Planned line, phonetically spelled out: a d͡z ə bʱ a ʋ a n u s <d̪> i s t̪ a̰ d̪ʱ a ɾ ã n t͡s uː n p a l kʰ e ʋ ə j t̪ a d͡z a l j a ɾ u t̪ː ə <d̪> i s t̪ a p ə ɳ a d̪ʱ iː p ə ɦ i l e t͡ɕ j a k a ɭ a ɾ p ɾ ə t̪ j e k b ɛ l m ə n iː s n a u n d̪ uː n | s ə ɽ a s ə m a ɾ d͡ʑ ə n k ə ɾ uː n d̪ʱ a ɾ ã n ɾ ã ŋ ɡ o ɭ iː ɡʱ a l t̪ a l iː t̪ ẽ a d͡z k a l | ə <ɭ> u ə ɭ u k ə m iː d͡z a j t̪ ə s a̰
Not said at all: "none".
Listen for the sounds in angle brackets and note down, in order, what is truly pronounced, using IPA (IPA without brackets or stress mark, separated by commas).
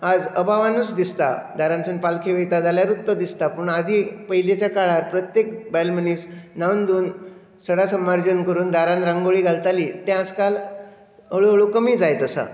d̪, d̪, ɭ